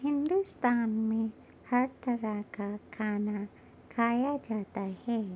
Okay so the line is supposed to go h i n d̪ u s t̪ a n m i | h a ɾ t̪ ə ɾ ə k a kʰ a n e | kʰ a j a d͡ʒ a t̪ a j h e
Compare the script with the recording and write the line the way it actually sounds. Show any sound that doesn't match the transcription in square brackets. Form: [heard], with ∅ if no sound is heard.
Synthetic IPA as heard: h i n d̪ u s t̪ a n m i | h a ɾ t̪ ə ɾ [a] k a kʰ a n [a] | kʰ a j a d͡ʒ a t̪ a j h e